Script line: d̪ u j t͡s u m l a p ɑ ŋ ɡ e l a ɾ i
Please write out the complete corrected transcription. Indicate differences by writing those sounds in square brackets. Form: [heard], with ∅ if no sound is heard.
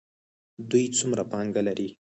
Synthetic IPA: d̪ u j t͡s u m [ɾ] a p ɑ ŋ ɡ [a] l a ɾ i